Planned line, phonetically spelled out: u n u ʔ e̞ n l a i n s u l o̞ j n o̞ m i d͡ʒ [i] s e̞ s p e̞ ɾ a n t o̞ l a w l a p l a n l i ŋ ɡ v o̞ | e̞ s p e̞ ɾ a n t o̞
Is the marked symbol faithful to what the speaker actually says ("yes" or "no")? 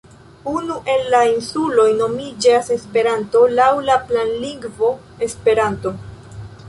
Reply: no